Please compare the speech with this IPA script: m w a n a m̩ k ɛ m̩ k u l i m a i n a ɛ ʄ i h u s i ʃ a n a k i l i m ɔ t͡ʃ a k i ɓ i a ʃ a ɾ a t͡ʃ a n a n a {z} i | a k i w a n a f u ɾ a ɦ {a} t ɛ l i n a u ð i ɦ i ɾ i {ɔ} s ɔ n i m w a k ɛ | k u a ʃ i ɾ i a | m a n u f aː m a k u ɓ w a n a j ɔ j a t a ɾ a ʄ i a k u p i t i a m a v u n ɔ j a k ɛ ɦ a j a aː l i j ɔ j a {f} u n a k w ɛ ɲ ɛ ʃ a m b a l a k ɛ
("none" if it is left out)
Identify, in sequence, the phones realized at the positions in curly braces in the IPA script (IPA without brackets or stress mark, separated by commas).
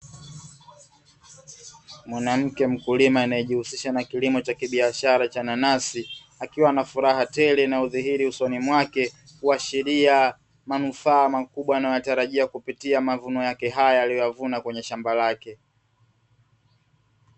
s, a, u, v